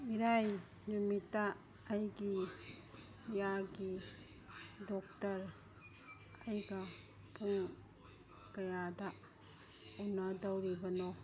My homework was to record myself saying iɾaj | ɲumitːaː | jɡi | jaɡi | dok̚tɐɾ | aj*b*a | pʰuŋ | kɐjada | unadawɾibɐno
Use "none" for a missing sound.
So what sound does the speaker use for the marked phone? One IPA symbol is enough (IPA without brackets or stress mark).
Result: ɡ